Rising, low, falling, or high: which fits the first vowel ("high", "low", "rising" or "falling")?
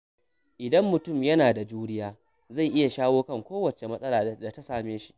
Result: low